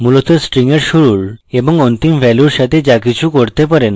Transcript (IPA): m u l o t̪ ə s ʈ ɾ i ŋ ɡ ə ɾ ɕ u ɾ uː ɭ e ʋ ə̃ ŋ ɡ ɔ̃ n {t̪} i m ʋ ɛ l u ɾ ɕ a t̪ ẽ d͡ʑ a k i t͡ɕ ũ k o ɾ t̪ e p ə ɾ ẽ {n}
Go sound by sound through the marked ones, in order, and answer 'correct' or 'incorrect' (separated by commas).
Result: correct, correct